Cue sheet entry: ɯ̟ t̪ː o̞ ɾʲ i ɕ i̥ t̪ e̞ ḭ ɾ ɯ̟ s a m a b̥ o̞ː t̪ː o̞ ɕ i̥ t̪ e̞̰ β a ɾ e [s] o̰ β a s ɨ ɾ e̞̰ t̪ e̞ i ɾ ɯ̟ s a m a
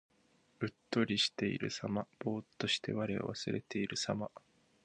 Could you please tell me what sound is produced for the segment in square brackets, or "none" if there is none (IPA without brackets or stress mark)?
none